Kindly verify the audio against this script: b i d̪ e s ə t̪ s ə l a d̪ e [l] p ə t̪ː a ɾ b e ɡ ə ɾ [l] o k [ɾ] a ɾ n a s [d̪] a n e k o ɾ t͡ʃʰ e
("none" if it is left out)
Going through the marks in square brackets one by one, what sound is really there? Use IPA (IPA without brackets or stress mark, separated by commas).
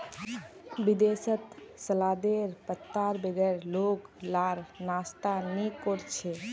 ɾ, l, l, t̪